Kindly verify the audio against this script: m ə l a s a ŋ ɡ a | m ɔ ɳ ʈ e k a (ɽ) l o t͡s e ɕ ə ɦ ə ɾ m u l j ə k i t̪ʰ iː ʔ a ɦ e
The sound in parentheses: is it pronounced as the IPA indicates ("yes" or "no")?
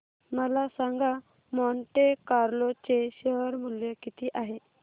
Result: no